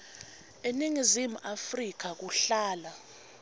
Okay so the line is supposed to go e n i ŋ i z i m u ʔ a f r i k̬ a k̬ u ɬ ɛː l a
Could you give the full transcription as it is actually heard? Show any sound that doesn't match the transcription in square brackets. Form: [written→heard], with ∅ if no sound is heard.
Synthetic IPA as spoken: e n i ŋ i z i m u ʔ a f r i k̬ a k̬ u ɬ [ɛː→aː] l a